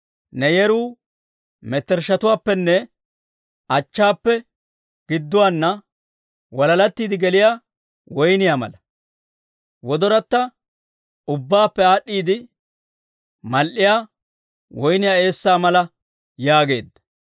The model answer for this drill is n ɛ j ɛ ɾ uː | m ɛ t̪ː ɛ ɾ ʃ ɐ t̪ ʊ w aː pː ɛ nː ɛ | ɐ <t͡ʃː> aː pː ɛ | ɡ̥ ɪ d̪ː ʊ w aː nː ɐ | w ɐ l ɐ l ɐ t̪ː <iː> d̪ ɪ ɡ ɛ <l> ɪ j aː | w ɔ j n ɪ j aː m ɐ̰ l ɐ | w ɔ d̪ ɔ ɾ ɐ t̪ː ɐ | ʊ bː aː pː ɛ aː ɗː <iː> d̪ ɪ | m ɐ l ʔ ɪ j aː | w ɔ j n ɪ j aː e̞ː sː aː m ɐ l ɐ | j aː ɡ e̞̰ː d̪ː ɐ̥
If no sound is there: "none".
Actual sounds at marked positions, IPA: t͡ʃː, iː, l, iː

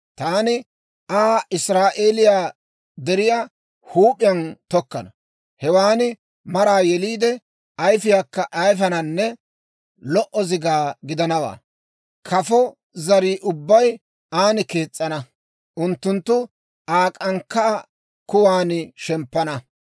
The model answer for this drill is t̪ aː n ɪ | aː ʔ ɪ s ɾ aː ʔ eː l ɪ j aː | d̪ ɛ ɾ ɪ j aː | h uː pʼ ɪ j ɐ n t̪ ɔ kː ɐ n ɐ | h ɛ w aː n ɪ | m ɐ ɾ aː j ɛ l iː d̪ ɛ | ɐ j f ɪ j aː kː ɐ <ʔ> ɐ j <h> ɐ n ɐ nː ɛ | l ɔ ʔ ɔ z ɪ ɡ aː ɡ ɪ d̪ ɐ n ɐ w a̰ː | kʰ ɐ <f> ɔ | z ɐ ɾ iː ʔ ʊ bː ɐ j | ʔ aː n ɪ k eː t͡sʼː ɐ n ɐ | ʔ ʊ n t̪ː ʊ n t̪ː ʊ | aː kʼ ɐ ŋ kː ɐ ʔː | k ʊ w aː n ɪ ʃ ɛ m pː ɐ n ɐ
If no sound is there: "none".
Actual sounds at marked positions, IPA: ʔ, f, f

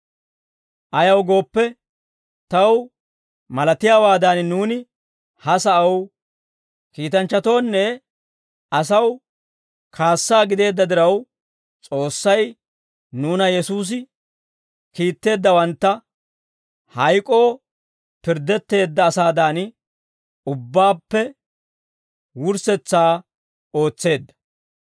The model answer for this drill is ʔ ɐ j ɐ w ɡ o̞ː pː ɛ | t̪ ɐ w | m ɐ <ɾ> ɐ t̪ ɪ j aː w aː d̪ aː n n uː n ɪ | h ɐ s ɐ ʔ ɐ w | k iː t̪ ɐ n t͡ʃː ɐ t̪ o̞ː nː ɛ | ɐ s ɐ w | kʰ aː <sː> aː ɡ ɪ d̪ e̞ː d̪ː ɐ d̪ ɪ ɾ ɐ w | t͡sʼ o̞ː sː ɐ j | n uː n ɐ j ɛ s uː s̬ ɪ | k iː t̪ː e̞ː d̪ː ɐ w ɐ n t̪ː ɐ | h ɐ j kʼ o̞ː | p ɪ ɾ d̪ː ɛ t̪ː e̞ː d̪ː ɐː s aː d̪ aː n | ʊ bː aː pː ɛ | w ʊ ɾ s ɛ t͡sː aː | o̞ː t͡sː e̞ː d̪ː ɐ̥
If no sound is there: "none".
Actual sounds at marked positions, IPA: l, sː

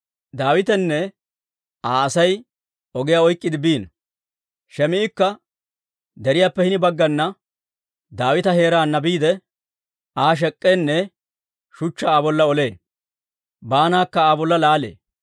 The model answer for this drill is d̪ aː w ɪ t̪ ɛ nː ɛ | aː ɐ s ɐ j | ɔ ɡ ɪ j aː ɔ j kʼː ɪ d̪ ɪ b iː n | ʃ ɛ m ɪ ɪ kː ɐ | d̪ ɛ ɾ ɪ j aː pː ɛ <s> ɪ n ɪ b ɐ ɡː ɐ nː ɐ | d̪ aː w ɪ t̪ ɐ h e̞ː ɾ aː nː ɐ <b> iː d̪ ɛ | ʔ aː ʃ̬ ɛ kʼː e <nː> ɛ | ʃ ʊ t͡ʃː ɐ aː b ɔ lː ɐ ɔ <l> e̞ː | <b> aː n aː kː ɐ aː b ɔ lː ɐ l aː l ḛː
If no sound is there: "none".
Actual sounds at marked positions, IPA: h, b, nː, l, b

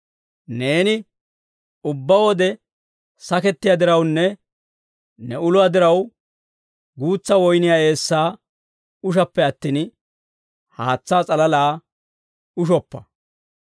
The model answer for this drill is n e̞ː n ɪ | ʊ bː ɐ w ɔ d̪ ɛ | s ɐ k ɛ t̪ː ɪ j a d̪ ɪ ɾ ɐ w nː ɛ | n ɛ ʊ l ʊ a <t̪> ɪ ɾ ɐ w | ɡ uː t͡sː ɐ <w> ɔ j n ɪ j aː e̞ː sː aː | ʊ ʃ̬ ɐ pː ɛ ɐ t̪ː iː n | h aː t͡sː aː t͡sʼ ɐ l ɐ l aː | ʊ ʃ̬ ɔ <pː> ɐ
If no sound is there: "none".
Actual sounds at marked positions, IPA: d̪, w, pː

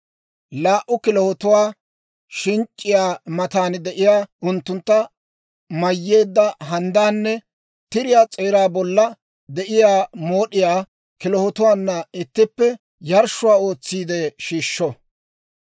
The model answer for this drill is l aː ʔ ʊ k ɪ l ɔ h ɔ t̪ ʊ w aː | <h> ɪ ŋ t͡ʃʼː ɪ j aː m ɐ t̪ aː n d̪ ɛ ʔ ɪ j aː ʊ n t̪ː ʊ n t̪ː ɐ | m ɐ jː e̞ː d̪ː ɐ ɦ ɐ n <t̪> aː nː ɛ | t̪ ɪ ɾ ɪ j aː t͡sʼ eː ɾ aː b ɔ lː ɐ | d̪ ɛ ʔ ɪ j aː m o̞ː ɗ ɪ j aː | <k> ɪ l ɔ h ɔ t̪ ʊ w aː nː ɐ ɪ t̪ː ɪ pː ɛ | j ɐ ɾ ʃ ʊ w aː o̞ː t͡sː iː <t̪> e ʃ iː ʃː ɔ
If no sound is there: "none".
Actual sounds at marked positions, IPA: ʃ, d̪, k, d̪

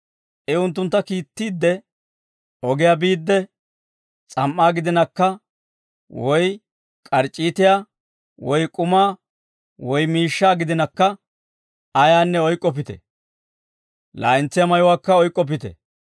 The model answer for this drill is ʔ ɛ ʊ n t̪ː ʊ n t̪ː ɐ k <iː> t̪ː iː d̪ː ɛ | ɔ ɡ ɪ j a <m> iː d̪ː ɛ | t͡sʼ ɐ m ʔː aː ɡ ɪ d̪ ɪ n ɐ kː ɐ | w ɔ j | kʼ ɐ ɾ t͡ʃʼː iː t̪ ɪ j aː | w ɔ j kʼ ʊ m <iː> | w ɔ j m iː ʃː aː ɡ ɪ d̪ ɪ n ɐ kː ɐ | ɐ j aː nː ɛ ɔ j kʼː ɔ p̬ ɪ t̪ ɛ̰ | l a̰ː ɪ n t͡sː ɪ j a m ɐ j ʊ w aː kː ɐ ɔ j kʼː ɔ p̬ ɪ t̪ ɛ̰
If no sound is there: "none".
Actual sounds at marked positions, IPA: iː, b, aː

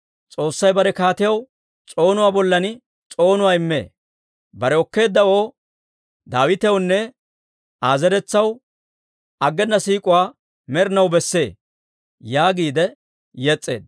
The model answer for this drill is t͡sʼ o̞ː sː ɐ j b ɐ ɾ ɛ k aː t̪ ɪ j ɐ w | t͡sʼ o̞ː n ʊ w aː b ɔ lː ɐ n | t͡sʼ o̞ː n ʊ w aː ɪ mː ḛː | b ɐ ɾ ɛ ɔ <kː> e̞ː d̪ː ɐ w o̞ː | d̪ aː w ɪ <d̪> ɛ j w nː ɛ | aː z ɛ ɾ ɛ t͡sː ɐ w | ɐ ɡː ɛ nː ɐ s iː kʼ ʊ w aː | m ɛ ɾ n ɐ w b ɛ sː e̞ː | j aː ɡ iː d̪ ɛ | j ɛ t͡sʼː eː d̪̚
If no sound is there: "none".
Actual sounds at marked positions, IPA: kː, t̪

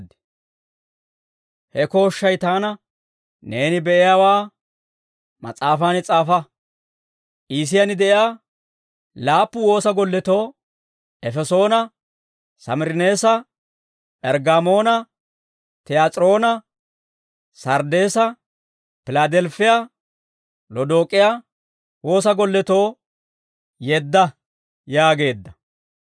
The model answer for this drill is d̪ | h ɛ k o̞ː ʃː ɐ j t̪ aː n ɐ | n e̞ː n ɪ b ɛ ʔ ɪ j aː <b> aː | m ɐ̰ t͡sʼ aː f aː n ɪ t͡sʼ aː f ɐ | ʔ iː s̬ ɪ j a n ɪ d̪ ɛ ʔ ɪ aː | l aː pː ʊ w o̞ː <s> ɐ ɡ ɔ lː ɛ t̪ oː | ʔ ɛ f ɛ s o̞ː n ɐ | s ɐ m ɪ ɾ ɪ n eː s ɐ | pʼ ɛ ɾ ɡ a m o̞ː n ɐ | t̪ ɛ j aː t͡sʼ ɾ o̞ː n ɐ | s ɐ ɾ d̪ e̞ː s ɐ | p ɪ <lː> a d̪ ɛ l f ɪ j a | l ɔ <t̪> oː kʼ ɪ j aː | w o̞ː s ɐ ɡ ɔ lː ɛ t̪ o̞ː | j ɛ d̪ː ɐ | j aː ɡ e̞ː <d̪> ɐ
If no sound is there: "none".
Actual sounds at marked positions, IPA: w, s, l, d̪, d̪ː

